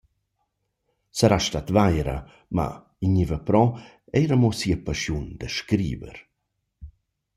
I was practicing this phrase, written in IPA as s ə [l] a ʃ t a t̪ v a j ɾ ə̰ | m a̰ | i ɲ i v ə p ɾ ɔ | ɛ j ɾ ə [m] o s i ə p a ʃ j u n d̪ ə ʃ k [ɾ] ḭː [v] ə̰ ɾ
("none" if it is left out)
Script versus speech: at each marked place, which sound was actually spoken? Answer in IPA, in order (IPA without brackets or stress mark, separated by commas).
ɾ, m, ɾ, v